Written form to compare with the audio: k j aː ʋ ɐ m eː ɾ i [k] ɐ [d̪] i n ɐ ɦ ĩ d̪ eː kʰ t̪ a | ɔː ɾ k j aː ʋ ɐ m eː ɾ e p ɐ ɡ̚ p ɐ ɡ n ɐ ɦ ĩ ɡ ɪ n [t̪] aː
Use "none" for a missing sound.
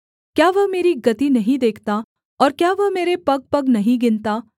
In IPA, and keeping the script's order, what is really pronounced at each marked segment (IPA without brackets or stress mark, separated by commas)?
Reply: ɡ, t̪, t̪